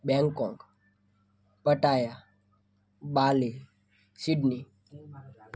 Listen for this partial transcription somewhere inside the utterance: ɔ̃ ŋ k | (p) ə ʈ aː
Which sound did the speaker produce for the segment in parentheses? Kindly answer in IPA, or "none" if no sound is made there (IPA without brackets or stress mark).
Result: p